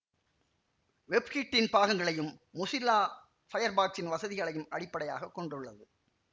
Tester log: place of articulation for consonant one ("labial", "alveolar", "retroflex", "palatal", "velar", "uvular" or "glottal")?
labial